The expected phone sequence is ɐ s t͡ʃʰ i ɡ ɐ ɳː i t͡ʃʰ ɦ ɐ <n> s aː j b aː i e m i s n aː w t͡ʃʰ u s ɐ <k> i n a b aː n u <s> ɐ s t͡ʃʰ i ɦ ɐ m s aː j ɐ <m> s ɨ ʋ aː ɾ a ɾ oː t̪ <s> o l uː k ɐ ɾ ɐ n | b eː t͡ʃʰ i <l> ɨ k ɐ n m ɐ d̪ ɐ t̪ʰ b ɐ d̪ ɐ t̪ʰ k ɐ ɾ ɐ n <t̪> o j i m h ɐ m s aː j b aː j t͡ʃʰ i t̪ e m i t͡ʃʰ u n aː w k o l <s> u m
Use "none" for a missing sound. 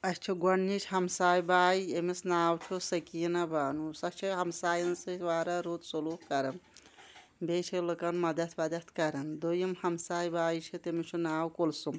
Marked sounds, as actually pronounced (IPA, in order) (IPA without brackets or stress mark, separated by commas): m, k, s, n, s, l, d̪, s